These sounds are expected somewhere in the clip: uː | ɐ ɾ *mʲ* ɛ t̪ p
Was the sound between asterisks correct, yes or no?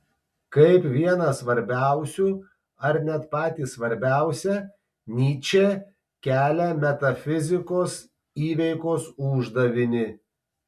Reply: no